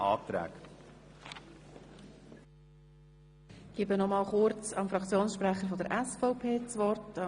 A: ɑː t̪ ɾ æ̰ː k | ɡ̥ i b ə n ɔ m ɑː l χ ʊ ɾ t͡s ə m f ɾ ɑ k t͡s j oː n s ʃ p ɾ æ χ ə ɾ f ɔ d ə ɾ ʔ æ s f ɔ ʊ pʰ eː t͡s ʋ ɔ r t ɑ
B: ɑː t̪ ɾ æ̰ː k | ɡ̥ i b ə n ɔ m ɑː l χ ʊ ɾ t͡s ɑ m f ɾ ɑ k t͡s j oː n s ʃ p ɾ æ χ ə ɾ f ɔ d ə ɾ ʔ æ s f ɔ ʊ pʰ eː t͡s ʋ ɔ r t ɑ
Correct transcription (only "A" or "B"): B